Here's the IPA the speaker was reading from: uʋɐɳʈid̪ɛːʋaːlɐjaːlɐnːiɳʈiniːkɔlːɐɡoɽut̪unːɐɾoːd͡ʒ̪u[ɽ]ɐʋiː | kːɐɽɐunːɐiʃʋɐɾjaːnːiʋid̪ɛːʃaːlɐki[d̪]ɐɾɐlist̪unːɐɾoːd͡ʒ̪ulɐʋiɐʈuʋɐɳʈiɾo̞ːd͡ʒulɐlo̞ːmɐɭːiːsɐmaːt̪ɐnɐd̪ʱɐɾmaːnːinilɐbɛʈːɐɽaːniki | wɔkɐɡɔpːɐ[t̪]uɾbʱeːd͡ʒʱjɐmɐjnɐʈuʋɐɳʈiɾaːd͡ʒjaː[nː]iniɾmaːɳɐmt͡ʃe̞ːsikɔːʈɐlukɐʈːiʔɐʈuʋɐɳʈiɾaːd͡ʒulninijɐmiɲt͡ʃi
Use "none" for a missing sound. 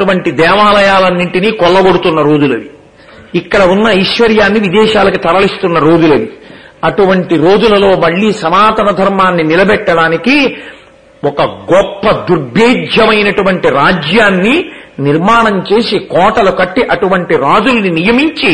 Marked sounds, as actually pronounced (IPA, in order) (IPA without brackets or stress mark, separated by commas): l, t̪, d̪, nː